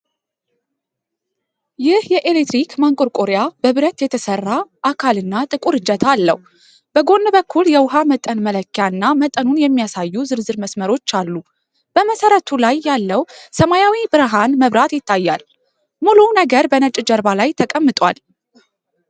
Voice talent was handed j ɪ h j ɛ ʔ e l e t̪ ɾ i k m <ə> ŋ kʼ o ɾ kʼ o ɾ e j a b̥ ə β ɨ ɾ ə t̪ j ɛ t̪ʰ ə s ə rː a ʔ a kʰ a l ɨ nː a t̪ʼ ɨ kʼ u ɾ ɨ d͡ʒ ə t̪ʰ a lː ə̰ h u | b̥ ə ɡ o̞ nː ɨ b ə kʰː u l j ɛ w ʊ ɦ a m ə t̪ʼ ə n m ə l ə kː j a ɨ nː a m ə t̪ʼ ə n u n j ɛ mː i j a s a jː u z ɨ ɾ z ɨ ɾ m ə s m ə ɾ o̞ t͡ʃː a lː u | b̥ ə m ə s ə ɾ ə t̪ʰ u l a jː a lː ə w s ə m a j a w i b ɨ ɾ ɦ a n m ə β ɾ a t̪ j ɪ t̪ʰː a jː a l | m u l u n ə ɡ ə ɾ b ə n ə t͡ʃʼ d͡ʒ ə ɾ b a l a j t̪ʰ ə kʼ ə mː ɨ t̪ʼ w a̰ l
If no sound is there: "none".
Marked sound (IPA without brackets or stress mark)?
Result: a